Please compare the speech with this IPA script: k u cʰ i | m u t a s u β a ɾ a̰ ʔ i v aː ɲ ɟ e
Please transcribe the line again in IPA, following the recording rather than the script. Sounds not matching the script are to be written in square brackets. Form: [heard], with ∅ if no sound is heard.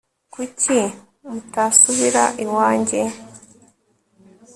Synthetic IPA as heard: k u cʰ i | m u t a s u β [i] ɾ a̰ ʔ i [w] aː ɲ ɟ e